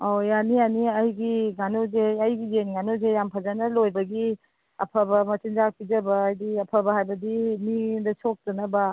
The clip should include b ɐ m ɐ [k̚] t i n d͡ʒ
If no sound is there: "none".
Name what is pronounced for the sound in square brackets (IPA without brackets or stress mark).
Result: none